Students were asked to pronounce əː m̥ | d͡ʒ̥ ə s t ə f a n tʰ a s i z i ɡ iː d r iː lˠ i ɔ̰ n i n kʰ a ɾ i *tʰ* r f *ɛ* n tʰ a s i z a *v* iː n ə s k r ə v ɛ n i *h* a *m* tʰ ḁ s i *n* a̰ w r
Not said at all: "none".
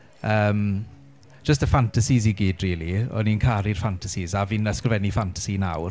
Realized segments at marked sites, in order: none, a, v, f, n, n

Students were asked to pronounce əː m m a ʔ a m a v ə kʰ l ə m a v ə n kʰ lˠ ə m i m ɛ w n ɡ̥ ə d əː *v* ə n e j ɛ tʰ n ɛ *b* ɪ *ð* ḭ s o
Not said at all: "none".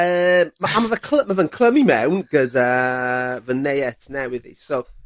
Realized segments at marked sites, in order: v, w, ð

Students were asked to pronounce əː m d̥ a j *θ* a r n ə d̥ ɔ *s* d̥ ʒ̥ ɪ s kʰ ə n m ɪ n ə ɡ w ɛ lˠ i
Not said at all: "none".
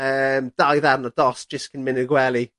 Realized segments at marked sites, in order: ð, s

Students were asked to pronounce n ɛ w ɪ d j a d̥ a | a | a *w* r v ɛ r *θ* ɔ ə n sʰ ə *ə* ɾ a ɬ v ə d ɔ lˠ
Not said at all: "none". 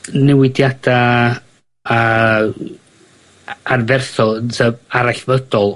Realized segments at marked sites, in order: none, θ, a

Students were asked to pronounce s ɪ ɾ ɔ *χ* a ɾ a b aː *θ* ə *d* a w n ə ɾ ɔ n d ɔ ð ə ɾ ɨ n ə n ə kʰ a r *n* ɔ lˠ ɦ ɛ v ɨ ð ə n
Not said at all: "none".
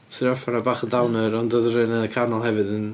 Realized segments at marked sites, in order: f, χ, d, n

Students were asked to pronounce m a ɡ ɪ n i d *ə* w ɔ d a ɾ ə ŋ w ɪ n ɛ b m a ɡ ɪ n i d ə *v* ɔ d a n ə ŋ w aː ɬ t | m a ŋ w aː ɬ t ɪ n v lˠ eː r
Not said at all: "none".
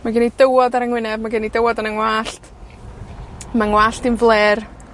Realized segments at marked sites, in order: ə, w

